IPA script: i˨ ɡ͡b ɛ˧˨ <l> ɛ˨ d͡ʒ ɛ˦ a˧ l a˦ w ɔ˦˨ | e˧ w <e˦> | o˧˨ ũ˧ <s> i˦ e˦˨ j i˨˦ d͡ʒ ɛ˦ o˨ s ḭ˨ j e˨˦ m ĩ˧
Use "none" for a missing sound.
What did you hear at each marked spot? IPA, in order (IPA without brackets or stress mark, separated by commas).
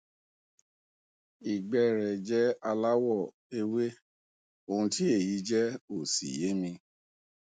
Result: ɾ, e˦, t